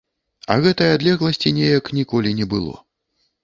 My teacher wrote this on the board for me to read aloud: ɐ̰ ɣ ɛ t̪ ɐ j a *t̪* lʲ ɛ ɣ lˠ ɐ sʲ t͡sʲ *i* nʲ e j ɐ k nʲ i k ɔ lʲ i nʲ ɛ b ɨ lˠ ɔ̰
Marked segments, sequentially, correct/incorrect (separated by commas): incorrect, correct